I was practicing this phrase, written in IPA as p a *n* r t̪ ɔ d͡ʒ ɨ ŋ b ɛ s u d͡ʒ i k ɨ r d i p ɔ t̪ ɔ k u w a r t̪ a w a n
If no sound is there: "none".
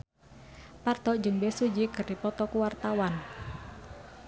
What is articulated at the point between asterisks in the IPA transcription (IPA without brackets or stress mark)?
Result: none